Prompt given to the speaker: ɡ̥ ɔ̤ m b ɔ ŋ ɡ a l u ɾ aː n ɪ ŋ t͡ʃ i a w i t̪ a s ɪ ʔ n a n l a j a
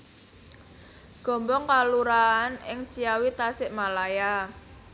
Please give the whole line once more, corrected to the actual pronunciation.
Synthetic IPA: ɡ̥ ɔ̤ m b ɔ ŋ k a l u ɾ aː n ɪ ŋ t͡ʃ i a w i t̪ a s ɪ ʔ m a l a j a